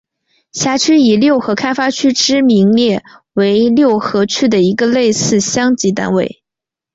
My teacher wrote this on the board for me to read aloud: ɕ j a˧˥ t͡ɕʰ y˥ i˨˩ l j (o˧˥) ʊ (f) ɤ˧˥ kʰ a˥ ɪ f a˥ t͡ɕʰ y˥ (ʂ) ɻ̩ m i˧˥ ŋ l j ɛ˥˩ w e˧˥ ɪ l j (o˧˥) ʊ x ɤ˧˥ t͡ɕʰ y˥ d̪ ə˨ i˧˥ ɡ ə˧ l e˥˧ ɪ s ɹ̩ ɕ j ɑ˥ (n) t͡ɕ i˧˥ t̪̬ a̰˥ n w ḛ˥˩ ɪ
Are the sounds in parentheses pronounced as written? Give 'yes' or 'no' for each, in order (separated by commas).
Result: no, no, no, no, no